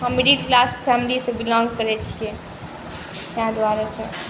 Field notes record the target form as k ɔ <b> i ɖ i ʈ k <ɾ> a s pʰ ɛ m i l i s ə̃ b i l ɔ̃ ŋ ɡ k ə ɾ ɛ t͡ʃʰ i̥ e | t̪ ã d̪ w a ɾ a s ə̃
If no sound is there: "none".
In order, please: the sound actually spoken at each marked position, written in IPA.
m, l

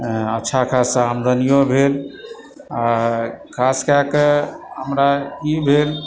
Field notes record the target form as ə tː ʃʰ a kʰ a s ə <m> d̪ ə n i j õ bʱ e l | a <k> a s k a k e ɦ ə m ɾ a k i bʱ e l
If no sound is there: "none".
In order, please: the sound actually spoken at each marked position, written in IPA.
m, kʰ

